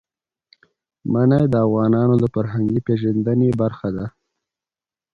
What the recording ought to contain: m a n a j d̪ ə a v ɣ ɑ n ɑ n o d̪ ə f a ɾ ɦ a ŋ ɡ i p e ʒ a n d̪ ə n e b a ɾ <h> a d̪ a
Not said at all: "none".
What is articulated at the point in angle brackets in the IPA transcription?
x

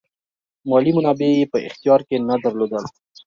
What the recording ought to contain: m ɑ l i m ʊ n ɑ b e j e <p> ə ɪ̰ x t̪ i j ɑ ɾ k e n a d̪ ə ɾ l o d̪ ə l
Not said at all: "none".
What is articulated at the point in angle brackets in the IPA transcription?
p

